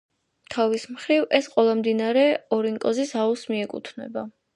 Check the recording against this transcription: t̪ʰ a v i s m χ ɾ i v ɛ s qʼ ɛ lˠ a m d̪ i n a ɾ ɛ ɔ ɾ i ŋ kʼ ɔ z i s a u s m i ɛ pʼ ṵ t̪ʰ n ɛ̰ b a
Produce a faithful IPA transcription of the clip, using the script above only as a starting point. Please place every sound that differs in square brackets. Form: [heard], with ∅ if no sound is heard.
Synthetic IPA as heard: t̪ʰ a v i s m χ ɾ i v ɛ s qʼ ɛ lˠ a m d̪ i n a ɾ ɛ ɔ ɾ i ŋ kʼ ɔ z i s a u s m i ɛ [kʼ] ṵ t̪ʰ n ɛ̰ b a